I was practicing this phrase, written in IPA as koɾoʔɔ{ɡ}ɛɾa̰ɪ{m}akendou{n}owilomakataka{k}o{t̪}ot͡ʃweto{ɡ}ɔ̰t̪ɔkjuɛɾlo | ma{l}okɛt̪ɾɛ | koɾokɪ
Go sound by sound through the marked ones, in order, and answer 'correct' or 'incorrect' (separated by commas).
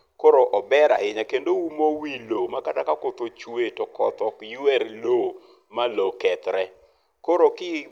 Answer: incorrect, incorrect, incorrect, correct, correct, incorrect, correct